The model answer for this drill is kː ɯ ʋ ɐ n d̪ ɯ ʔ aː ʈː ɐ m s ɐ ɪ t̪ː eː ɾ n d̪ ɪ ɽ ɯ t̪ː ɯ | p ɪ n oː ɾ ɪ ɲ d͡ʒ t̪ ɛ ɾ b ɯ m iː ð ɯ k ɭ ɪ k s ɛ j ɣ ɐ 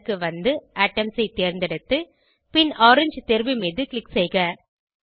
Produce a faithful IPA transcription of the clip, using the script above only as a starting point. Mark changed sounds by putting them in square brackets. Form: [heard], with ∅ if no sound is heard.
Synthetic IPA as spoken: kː ɯ ʋ ɐ n d̪ ɯ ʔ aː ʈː ɐ m s ɐ ɪ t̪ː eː ɾ n d̪ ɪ ɽ ɯ t̪ː ɯ | p ɪ n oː ɾ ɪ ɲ d͡ʒ t̪ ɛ ɾ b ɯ m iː ð ɯ k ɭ ɪ k s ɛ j ɣ ɐ